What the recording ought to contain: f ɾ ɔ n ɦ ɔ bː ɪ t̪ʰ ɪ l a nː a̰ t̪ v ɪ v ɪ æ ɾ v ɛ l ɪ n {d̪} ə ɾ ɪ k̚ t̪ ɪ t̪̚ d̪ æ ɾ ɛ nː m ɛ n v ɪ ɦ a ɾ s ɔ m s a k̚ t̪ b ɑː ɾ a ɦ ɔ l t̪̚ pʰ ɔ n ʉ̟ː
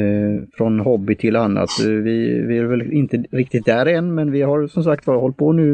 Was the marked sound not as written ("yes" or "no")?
yes